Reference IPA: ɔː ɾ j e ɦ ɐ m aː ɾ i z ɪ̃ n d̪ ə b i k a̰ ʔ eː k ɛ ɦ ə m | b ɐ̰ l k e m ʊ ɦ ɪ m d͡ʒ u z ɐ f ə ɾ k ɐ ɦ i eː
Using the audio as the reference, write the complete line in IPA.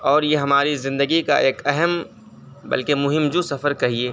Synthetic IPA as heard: ɔː ɾ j e ɦ ɐ m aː ɾ i z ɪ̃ n d̪ ə ɡ i k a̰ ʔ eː k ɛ ɦ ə m | b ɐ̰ l k e m ʊ ɦ ɪ m d͡ʒ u s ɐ f ə ɾ k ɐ ɦ i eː